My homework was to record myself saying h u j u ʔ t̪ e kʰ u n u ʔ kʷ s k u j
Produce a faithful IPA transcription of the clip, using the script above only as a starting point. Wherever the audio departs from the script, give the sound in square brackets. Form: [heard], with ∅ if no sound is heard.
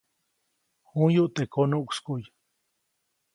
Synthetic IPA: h u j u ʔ t̪ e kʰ [o] n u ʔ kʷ s k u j